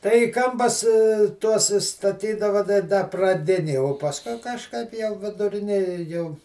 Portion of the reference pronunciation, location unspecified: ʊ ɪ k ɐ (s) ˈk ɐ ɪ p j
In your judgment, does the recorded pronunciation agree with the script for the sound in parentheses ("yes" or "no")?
no